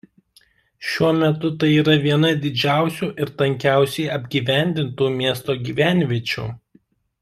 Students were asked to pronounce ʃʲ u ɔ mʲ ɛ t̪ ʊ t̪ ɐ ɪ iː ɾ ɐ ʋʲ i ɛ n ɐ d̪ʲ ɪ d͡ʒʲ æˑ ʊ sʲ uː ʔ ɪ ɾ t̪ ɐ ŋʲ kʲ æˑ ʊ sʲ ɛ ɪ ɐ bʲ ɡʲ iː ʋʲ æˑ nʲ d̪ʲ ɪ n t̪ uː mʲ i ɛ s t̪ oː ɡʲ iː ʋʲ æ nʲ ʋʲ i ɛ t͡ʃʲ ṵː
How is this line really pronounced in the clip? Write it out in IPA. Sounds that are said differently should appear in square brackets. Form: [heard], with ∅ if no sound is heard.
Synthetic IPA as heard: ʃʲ u ɔ mʲ ɛ t̪ ʊ t̪ ɐ ɪ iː ɾ ɐ ʋʲ i ɛ n ɐ d̪ʲ ɪ d͡ʒʲ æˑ ʊ sʲ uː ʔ ɪ ɾ t̪ ɐ ŋʲ kʲ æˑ ʊ sʲ ɛ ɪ ɐ bʲ ɡʲ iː ʋʲ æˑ nʲ d̪ʲ ɪ n t̪ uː mʲ i ɛ s t̪ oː ɡʲ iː ʋʲ æ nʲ ʋʲ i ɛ t͡ʃʲ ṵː